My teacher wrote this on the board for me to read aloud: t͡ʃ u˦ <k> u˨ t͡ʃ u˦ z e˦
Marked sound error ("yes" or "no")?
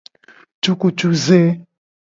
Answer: no